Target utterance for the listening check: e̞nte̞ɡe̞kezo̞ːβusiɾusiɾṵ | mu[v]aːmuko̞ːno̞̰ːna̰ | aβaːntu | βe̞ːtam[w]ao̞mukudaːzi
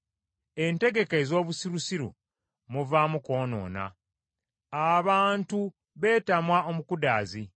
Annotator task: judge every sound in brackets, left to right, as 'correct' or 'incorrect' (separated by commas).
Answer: correct, correct